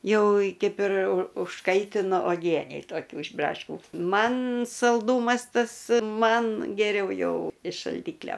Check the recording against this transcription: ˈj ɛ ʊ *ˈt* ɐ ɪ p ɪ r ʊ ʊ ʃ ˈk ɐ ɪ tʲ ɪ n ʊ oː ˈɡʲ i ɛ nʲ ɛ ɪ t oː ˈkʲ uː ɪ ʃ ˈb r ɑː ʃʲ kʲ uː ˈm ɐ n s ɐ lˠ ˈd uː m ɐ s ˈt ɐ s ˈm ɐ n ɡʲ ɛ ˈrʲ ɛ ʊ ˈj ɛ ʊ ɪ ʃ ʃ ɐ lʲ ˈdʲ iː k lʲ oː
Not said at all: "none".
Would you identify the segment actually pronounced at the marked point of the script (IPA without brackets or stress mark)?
k